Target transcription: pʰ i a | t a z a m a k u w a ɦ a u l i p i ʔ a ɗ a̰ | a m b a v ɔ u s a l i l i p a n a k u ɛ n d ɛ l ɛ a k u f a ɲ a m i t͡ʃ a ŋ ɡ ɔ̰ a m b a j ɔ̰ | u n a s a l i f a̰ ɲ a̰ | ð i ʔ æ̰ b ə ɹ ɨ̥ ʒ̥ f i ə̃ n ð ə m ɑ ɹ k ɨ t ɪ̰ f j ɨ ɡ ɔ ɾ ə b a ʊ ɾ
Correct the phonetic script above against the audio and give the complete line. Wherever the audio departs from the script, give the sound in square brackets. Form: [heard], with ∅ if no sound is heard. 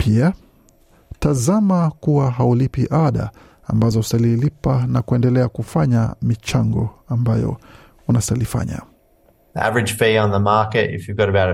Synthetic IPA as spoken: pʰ i a | t a z a m a k u w a ɦ a u l i p i ʔ a ɗ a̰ | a m b a [z] ɔ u s a l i l i p a n a k u ɛ n d ɛ l ɛ a k u f a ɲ a m i t͡ʃ a ŋ ɡ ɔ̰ a m b a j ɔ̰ | u n a s a l i f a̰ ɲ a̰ | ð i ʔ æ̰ [v] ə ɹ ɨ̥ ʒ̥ f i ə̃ n ð ə m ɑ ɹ k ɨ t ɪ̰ f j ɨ ɡ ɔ ɾ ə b a ʊ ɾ